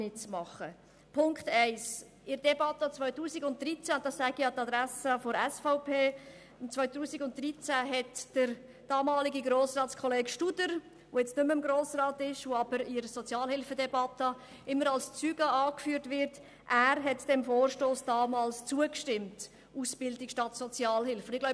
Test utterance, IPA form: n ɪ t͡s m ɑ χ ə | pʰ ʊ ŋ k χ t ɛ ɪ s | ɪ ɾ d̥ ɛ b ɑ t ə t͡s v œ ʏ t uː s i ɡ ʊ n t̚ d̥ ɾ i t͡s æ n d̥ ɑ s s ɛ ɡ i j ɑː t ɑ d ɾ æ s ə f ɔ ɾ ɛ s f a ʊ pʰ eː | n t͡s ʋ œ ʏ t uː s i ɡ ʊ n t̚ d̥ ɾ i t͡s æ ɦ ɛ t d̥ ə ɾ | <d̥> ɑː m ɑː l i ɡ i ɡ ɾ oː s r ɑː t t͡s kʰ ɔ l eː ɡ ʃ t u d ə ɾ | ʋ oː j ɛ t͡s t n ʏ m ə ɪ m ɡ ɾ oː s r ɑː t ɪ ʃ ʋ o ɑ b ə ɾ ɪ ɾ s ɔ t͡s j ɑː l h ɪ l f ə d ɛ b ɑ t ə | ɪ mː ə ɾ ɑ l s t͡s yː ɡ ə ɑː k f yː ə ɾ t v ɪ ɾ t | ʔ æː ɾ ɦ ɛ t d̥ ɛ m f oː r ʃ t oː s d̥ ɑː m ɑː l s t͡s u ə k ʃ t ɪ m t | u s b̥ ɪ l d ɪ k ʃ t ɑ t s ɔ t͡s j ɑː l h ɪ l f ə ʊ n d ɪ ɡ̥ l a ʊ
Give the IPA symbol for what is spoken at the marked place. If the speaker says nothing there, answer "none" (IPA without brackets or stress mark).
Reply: d̥